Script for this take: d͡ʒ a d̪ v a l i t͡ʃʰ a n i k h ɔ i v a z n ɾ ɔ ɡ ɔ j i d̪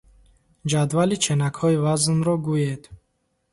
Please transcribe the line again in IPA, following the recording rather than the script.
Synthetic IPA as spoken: d͡ʒ a d̪ v a l i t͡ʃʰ e n a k h ɔ i v a z n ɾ ɔ ɡ u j e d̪